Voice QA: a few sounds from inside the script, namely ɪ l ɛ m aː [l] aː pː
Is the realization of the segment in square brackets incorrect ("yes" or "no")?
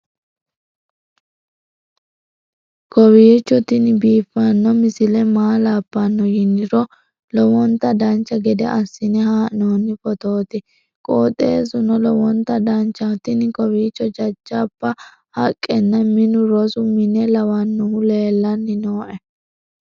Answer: no